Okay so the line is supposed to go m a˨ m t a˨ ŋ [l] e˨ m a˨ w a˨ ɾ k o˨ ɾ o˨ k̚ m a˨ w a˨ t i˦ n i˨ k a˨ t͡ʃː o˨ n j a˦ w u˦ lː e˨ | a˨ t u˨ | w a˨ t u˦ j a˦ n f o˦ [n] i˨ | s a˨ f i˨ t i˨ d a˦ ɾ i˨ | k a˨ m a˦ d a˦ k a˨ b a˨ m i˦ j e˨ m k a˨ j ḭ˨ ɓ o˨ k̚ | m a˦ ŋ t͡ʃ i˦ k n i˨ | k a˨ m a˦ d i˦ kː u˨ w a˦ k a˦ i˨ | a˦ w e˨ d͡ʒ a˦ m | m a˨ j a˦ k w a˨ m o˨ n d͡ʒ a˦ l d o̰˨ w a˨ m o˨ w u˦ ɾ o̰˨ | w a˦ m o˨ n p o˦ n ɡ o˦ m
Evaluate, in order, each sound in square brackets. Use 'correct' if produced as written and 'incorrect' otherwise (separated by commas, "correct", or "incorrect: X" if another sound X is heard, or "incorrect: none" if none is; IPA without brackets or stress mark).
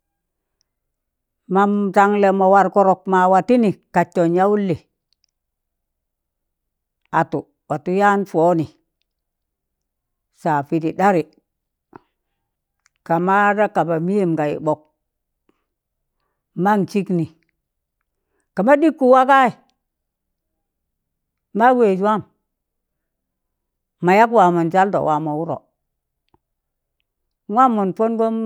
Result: correct, correct